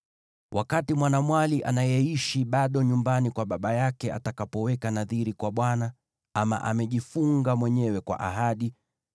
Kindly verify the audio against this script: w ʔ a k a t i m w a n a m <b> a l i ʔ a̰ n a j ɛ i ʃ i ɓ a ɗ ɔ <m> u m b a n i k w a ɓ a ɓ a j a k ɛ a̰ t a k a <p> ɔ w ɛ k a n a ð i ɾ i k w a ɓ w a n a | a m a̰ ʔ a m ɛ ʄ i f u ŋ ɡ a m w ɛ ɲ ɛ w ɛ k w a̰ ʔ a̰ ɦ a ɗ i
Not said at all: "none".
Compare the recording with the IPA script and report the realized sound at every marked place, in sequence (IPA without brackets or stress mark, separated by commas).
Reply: w, ɲ, p